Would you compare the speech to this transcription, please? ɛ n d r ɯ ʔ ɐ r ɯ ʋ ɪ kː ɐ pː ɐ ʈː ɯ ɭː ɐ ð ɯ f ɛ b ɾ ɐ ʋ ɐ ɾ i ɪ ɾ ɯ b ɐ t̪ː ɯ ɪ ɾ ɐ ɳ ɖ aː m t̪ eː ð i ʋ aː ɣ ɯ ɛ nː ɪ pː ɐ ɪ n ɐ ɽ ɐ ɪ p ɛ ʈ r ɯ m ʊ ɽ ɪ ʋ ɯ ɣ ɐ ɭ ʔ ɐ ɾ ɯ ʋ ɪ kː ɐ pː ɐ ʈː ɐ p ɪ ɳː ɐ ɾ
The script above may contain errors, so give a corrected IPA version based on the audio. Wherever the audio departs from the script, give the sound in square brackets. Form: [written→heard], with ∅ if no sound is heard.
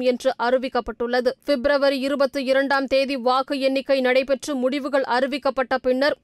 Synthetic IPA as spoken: ɛ n d r ɯ ʔ ɐ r ɯ ʋ ɪ kː ɐ pː ɐ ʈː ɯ ɭː ɐ ð ɯ f ɛ b ɾ ɐ ʋ ɐ ɾ i ɪ ɾ ɯ b ɐ t̪ː ɯ ɪ ɾ ɐ ɳ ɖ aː m t̪ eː ð i ʋ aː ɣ ɯ ɛ nː ɪ [pː→kː] ɐ ɪ n ɐ ɽ ɐ ɪ p ɛ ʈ r ɯ m ʊ ɽ ɪ ʋ ɯ ɣ ɐ ɭ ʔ ɐ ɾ ɯ ʋ ɪ kː ɐ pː ɐ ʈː ɐ p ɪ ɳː ɐ ɾ